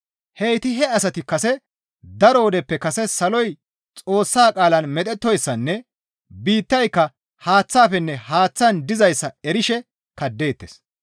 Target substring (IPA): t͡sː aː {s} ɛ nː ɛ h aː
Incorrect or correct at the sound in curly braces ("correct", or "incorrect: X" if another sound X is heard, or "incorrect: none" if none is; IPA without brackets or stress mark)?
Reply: incorrect: f